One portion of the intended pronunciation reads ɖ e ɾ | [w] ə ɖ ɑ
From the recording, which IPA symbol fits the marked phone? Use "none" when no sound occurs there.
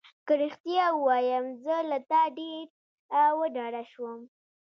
w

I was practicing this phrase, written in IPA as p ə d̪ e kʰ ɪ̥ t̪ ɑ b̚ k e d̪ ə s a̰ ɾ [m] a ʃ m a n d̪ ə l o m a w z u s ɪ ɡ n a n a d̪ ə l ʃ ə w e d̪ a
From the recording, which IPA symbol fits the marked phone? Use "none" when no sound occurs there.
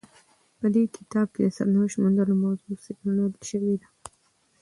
n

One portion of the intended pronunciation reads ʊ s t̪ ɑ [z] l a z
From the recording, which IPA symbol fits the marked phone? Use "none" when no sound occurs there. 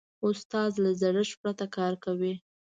z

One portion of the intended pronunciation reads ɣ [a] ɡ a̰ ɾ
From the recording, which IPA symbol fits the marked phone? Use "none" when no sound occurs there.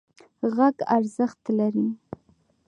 a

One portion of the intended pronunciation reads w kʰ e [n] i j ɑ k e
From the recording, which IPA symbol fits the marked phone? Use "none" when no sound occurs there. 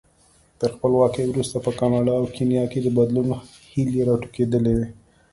n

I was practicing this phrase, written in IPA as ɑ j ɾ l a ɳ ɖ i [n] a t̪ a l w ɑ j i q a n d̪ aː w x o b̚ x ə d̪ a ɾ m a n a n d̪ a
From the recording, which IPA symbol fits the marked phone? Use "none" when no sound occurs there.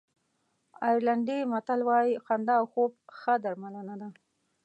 m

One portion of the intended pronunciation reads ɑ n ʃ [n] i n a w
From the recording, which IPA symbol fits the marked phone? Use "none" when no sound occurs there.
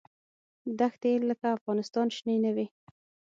n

